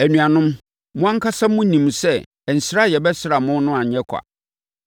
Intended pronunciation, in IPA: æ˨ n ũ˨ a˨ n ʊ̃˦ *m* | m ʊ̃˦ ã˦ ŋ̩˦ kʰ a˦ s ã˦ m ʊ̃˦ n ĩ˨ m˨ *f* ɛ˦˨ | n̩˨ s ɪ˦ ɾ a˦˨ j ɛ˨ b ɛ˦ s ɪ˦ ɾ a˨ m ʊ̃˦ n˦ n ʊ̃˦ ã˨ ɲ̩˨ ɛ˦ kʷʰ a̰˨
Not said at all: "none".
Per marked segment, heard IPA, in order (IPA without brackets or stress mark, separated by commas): m, s